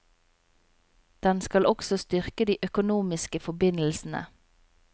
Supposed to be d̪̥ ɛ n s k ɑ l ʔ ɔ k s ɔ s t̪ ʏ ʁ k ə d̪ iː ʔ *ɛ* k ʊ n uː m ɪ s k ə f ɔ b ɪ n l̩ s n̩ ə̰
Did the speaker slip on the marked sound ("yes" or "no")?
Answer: yes